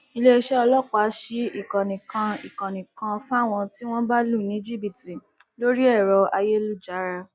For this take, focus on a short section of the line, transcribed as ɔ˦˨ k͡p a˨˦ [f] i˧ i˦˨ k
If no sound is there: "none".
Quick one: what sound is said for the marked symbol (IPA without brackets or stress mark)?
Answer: ʃ